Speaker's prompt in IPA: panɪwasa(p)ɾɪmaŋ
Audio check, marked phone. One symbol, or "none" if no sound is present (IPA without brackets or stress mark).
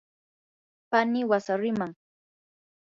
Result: none